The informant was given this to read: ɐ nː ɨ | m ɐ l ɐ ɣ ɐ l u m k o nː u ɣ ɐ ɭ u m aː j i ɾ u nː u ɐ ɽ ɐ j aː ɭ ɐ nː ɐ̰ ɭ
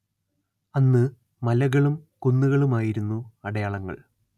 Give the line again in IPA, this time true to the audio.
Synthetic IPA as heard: ɐ nː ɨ | m ɐ l ɐ ɣ ɐ ɭ u m k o nː u ɣ ɐ ɭ u m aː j i ɾ u nː u ɐ ɽ ɐ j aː ɭ ɐ ŋː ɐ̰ ɭ